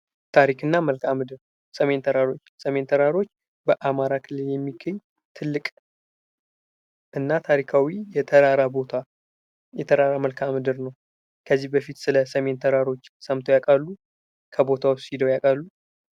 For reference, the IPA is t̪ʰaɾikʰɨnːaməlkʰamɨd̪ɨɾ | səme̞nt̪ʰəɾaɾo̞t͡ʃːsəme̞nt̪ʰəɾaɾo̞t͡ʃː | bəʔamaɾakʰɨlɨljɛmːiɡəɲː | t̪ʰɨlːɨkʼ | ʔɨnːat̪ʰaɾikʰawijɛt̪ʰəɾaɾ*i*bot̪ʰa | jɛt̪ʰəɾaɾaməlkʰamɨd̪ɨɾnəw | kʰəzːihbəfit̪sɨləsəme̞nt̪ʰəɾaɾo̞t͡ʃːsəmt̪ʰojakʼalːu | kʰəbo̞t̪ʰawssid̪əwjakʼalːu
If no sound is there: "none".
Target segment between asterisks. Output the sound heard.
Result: a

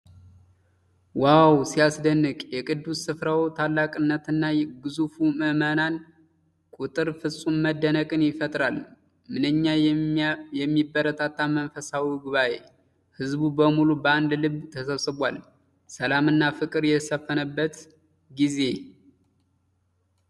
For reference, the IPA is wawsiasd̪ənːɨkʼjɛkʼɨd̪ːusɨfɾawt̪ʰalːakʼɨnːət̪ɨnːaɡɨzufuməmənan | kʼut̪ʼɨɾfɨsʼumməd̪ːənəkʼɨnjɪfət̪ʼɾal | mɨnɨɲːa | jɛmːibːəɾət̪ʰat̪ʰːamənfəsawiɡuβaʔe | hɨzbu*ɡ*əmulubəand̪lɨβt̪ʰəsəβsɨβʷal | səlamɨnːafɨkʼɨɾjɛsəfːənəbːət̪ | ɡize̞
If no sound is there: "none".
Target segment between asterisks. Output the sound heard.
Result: b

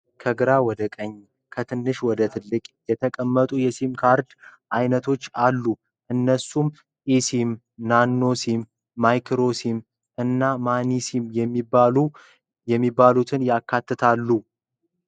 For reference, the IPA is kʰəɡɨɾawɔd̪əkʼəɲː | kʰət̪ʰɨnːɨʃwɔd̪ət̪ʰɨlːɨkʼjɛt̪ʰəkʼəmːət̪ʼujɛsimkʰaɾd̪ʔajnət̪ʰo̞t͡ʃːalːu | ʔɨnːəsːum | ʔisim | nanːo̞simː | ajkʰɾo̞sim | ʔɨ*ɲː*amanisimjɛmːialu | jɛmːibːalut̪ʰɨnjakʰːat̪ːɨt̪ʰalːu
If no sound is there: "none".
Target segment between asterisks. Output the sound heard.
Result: nː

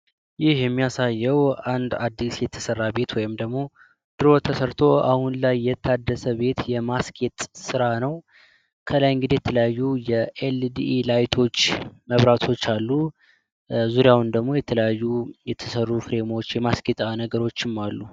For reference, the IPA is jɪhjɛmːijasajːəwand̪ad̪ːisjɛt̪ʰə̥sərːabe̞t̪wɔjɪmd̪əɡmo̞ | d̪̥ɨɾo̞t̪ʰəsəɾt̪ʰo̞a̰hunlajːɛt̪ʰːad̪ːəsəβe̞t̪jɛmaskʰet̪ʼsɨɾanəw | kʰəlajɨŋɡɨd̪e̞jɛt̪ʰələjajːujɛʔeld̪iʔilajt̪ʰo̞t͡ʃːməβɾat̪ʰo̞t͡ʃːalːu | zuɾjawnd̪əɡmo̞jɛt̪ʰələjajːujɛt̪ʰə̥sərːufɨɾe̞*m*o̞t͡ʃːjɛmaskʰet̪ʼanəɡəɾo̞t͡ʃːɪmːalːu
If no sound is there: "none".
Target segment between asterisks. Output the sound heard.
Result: m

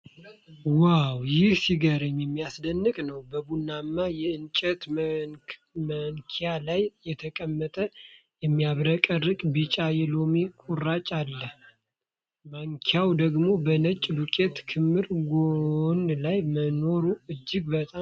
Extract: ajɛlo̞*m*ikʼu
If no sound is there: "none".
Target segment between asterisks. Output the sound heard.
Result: m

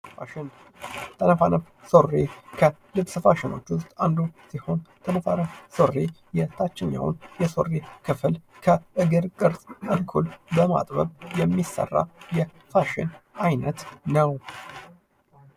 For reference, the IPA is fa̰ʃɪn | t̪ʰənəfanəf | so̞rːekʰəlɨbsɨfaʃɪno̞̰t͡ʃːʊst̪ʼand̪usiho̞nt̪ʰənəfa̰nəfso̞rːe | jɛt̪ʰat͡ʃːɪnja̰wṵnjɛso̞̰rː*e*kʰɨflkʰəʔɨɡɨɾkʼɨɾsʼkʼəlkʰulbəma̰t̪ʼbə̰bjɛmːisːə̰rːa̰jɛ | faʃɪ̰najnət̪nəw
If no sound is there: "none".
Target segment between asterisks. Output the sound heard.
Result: e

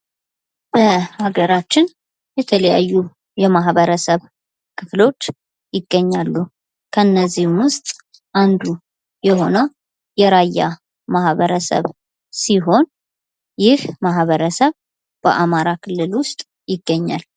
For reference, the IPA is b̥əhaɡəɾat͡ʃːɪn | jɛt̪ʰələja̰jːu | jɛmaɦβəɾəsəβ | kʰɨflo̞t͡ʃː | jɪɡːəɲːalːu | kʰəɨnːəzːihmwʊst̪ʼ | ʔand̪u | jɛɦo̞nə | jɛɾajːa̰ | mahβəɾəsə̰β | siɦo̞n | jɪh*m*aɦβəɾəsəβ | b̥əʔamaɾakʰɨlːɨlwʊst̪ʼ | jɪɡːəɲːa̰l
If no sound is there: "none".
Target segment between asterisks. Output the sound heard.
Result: m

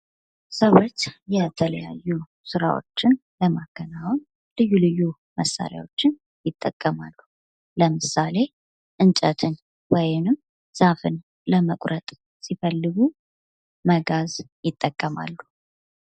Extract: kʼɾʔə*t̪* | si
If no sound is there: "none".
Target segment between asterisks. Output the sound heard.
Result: t̪ʼ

